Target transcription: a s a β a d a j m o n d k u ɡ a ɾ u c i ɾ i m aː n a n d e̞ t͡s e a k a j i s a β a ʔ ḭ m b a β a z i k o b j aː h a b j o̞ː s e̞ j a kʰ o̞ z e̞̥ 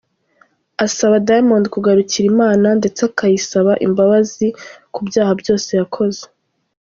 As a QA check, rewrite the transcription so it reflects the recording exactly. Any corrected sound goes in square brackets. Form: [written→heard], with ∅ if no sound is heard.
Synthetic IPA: a s a β a d a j m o n d k u ɡ a ɾ u c i ɾ i m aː n a n d e̞ t͡s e a k a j i s a β a ʔ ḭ m b a β a z i k [o→u] b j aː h a b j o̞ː s e̞ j a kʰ o̞ z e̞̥